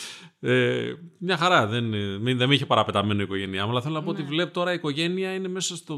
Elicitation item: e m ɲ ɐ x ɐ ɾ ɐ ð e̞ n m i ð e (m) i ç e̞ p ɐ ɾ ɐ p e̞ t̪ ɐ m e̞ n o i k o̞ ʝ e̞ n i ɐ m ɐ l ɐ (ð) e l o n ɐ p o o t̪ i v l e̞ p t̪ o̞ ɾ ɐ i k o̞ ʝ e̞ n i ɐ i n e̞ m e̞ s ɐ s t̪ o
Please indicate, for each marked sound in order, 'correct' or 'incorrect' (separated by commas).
correct, incorrect